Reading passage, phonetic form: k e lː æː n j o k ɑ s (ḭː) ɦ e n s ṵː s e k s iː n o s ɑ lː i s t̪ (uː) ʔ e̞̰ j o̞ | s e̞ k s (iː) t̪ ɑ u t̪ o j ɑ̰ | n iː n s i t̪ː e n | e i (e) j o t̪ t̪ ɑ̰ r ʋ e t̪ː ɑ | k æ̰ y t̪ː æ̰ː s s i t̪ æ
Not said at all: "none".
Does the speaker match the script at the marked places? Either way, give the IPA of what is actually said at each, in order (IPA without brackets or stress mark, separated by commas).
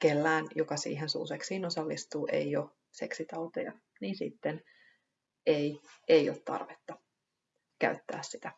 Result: ḭː, uː, i, e